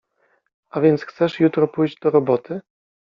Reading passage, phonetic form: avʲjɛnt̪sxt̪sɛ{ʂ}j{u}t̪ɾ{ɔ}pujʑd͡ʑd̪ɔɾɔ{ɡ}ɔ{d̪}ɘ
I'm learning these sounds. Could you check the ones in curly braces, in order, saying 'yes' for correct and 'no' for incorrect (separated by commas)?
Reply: yes, yes, yes, no, no